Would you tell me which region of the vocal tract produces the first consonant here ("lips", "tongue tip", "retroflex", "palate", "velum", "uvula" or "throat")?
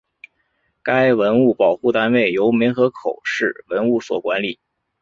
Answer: velum